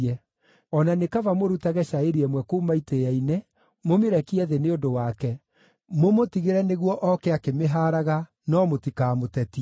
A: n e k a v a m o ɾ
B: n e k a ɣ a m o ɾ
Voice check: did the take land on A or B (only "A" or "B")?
A